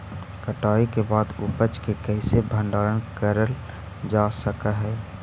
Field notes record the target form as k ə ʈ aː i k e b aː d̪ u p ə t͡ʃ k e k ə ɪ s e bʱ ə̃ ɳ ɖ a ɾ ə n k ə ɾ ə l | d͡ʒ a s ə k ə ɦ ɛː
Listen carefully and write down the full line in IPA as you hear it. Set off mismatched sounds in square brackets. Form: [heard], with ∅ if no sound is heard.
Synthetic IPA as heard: k ə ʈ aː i k e b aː d̪ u p ə t͡ʃ k e k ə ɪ s e bʱ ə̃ ɳ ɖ a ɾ ə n k ə ɾ ə l | d͡ʒ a s ə k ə ɦ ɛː